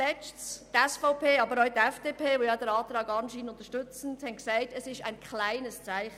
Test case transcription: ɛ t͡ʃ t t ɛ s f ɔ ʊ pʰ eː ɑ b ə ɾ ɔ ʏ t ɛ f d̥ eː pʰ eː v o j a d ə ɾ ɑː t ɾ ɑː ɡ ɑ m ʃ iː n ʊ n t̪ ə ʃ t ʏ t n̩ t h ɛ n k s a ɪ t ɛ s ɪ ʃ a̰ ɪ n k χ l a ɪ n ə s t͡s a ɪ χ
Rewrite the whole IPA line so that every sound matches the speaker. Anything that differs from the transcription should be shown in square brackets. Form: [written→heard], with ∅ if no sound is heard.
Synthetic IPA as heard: ɛ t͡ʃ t t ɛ s f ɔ ʊ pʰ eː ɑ b ə ɾ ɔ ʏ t ɛ f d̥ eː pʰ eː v o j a d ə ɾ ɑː t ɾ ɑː ɡ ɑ [m→n] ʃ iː n ʊ n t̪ ə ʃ t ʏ [t→t͡s] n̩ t h ɛ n k s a ɪ t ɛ s ɪ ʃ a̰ ɪ n k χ l a ɪ n ə s t͡s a ɪ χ